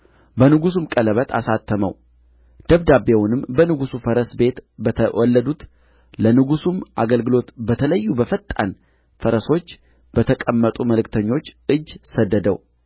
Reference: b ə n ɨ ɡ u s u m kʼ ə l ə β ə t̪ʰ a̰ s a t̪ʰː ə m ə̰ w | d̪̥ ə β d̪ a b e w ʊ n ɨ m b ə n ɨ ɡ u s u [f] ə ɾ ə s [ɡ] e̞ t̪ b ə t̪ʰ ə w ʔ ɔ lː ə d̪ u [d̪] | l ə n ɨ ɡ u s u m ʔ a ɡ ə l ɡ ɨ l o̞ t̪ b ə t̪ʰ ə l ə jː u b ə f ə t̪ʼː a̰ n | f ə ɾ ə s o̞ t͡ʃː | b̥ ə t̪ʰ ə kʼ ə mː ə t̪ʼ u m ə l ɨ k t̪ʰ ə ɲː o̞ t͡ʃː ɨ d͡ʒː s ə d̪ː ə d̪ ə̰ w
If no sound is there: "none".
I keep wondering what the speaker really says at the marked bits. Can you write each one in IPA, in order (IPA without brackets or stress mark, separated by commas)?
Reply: f, b, t̪